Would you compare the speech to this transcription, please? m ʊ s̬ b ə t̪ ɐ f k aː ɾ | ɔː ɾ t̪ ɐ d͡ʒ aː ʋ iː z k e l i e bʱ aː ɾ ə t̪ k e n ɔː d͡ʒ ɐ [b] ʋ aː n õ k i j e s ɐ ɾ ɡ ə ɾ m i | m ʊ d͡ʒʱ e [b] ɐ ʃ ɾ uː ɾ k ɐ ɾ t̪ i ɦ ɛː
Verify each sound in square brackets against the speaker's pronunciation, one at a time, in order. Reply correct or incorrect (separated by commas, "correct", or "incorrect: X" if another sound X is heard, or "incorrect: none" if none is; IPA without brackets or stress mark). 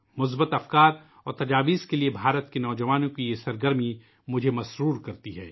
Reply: incorrect: none, incorrect: m